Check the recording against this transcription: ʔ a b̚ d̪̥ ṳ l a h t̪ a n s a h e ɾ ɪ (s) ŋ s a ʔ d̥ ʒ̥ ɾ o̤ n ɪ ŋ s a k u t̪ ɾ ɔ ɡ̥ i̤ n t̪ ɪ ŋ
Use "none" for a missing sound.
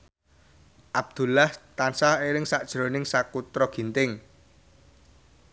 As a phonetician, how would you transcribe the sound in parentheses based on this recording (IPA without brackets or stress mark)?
none